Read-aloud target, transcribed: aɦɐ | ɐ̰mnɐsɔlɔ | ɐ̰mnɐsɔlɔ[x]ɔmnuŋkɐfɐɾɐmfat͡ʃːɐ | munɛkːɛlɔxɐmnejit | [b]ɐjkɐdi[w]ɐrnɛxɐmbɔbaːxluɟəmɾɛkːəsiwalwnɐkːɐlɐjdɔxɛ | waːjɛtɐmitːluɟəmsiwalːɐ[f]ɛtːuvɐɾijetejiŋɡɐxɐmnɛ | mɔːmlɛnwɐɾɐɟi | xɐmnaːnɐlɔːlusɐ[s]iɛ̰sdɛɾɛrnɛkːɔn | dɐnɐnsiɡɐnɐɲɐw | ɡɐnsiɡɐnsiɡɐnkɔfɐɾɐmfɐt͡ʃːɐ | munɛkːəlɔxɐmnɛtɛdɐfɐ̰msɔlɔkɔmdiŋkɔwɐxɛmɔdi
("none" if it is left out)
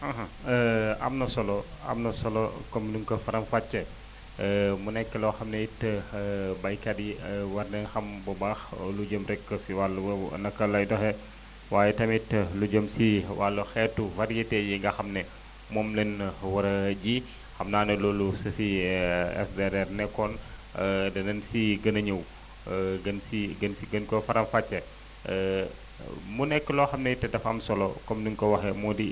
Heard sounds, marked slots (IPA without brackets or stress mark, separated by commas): k, b, w, x, f